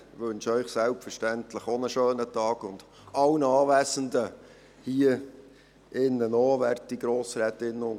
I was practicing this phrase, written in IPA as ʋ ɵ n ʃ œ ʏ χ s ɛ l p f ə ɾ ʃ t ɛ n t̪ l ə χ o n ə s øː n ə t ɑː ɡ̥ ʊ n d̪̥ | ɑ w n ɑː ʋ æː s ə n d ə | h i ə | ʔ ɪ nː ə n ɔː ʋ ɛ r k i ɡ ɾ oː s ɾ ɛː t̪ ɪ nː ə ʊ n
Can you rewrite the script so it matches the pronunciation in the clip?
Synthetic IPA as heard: ʋ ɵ n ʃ œ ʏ χ s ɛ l p f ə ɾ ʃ t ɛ n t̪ l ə χ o n ə ʃ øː n ə t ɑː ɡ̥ ʊ n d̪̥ | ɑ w n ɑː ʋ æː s ə n d ə | h i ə | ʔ ɪ nː ə n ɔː ʋ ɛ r t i ɡ ɾ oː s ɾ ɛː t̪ ɪ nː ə ʊ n